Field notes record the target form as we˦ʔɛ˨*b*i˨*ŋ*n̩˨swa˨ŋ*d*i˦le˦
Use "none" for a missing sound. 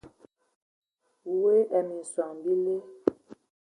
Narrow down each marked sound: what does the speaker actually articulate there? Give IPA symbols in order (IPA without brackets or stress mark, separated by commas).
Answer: m, none, b